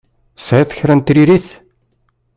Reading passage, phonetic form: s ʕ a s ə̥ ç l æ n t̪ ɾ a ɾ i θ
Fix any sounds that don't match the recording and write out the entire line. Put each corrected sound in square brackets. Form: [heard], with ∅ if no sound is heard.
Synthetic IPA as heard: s ʕ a [θ] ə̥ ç [ɾ] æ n t̪ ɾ [i] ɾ i θ